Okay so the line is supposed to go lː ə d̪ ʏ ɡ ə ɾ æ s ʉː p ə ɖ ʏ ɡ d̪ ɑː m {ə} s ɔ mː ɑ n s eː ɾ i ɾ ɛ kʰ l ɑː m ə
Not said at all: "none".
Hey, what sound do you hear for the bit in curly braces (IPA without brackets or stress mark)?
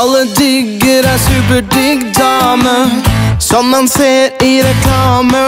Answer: ə